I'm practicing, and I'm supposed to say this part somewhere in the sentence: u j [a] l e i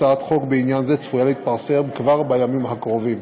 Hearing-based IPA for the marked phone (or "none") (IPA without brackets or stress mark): a